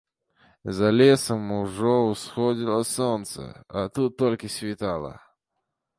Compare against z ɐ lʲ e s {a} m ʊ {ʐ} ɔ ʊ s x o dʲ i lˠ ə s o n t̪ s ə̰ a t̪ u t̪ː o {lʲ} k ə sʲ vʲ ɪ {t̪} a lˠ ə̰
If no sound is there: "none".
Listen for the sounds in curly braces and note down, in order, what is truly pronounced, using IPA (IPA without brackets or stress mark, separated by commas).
ə, ʐ, lʲ, t̪